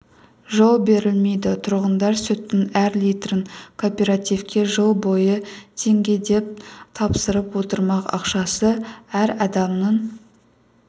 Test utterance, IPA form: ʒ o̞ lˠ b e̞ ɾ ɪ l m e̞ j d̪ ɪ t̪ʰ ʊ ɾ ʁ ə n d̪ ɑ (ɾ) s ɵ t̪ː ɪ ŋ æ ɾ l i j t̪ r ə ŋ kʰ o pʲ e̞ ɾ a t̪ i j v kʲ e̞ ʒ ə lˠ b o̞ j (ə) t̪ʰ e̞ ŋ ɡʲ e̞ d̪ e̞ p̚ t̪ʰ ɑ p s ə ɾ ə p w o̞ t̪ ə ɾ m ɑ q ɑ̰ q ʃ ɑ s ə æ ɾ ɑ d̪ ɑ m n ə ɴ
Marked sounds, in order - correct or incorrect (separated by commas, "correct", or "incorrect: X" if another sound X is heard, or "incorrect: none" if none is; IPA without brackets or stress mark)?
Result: correct, correct